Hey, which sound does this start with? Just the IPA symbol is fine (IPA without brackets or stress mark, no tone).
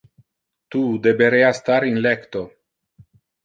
t̪